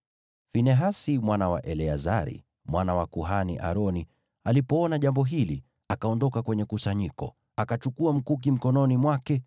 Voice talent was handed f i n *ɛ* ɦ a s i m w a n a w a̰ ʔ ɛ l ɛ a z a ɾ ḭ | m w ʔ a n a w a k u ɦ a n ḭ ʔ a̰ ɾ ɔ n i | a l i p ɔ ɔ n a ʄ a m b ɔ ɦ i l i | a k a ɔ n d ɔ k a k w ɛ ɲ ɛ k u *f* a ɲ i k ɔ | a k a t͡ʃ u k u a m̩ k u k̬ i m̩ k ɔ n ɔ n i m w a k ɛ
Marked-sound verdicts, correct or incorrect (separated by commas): correct, incorrect